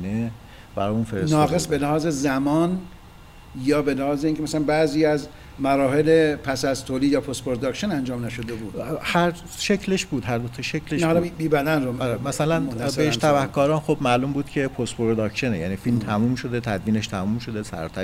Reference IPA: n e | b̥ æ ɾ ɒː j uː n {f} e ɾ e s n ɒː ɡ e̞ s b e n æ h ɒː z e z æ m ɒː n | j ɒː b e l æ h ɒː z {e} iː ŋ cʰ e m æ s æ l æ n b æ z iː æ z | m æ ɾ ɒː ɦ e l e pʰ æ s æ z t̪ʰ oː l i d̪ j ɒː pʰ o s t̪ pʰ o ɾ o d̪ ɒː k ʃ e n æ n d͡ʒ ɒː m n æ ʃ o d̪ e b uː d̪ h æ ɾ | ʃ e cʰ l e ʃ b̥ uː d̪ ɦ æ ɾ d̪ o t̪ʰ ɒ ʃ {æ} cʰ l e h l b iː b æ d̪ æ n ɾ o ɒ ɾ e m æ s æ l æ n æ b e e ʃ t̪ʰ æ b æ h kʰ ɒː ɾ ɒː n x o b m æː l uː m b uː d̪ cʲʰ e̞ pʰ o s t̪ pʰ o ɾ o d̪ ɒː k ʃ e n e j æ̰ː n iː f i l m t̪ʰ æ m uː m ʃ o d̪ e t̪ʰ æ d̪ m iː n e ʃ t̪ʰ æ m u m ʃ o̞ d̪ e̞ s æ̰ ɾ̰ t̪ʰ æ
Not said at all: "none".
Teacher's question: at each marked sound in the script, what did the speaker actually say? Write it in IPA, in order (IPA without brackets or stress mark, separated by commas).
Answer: f, e, e